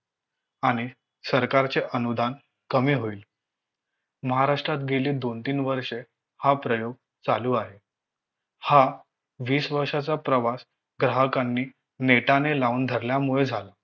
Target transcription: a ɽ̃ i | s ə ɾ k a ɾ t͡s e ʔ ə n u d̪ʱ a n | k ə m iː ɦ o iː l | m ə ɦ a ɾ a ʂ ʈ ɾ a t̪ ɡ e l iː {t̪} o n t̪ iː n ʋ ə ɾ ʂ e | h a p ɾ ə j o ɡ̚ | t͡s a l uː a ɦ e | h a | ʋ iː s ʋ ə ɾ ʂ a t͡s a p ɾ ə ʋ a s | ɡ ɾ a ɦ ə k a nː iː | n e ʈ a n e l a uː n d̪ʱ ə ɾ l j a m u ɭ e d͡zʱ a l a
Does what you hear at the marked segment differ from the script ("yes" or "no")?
yes